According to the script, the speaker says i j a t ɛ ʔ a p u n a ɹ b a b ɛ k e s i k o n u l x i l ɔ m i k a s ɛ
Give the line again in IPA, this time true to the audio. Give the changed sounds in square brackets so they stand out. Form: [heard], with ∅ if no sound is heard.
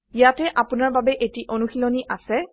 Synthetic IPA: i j a t ɛ ʔ a p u n a ɹ b a b ɛ [ʔ] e [t] i [ʔ] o n u [∅] x i l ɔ [n] i [ʔ] a s ɛ